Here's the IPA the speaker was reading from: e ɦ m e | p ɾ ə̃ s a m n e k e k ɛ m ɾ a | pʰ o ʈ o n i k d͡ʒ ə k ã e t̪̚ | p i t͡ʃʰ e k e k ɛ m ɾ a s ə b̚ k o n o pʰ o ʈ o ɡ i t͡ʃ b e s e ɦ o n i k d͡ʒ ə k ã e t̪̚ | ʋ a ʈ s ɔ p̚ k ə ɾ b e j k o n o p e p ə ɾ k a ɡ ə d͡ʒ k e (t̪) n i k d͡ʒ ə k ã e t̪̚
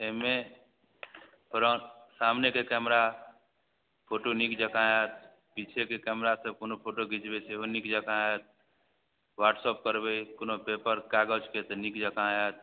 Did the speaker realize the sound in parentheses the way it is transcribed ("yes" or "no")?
yes